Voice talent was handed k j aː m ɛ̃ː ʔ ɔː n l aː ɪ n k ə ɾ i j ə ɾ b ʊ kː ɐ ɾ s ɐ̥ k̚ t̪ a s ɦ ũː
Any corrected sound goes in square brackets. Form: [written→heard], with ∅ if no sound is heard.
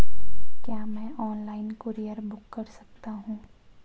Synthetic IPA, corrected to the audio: k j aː m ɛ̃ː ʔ ɔː n l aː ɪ n k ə ɾ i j ə ɾ b ʊ kː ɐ ɾ s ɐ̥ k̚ t̪ a [s→∅] ɦ ũː